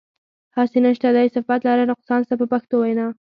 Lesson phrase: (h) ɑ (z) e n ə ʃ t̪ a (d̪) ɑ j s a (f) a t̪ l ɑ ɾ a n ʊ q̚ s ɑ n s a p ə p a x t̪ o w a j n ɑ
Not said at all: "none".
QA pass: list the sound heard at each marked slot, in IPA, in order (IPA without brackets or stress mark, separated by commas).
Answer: h, s, d̪, f